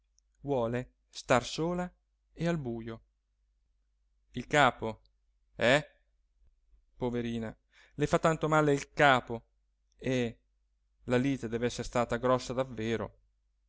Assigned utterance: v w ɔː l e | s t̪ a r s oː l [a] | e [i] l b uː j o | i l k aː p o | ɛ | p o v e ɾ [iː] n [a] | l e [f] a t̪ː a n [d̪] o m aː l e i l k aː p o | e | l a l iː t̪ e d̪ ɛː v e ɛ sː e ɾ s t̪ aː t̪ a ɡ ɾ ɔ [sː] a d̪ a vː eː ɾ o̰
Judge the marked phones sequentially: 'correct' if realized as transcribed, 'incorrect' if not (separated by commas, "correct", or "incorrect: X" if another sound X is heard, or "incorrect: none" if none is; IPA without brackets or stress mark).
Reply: correct, incorrect: a, correct, correct, correct, incorrect: t̪, correct